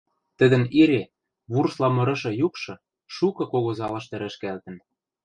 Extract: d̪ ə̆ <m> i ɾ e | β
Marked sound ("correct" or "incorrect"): incorrect